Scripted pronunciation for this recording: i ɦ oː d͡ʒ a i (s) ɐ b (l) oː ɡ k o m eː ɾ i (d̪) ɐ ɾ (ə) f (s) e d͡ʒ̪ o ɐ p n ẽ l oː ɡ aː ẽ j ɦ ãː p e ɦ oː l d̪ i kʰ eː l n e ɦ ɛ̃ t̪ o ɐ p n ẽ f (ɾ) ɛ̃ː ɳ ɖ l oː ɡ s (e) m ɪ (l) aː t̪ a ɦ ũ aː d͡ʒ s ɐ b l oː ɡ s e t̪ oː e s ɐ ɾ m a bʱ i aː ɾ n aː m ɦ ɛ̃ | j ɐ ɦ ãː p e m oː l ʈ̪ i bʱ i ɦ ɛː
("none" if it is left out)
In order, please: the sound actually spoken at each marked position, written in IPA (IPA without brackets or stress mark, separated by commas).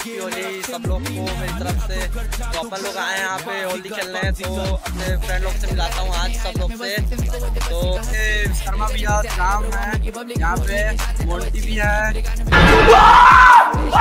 s, l, t̪, ə, s, ɾ, e, l